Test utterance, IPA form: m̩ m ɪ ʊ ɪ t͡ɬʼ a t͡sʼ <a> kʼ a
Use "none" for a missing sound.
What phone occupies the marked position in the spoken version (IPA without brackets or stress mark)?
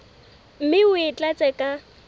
ɛ